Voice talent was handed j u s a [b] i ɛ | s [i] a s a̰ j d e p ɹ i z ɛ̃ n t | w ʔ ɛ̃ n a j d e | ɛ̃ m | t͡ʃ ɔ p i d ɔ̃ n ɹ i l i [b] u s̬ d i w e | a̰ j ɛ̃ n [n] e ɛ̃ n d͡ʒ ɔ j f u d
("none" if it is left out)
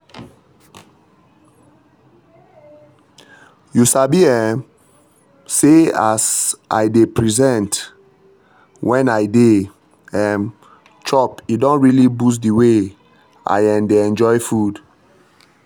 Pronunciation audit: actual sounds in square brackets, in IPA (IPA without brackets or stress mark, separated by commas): b, e, b, d